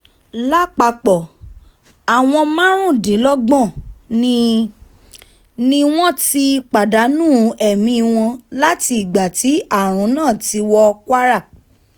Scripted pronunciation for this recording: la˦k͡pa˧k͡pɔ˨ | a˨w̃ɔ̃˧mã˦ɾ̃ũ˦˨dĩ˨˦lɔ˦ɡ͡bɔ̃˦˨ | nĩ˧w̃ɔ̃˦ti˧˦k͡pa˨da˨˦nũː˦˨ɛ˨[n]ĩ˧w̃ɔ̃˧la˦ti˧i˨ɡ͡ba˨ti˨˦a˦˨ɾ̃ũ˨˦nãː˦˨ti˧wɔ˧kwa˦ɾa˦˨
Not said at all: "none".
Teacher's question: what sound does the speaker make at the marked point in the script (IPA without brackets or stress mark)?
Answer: m